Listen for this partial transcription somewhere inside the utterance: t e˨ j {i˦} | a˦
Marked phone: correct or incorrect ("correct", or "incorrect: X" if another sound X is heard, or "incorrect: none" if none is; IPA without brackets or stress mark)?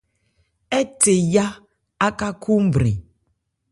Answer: incorrect: a˦